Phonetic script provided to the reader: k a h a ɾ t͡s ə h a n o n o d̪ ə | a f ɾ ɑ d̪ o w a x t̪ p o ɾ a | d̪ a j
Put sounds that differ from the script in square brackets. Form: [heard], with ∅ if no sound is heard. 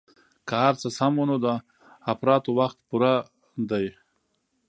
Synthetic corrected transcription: k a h a ɾ t͡s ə [s] a [m] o n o d̪ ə | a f ɾ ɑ [t̪] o w a x t̪ p [u] ɾ a | d̪ a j